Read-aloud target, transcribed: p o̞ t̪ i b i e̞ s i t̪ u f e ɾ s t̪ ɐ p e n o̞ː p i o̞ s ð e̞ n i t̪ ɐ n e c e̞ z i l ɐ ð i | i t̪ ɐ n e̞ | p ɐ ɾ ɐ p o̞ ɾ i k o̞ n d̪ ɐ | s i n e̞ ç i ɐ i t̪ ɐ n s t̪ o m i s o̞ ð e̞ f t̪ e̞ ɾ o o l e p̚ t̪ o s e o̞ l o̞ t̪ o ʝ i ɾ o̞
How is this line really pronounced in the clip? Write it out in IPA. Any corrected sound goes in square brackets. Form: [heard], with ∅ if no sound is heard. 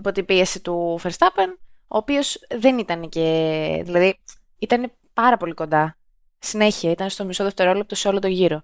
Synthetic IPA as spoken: p o̞ t̪ i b i e̞ s i t̪ u f e ɾ s t̪ ɐ p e n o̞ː p i o̞ s ð e̞ n i t̪ ɐ n e c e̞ [ð] i l ɐ ð i | i t̪ ɐ n e̞ | p ɐ ɾ ɐ p o̞ [l] i k o̞ n d̪ ɐ | s i n e̞ ç i ɐ i t̪ ɐ n s t̪ o m i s o̞ ð e̞ f t̪ e̞ ɾ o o l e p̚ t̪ o s e o̞ l o̞ t̪ o ʝ i ɾ o̞